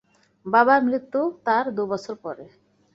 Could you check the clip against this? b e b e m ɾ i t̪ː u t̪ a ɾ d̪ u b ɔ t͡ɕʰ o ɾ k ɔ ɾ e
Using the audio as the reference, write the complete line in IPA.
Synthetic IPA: b a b a m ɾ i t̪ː u t̪ a ɾ d̪ u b ɔ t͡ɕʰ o ɾ p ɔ ɾ e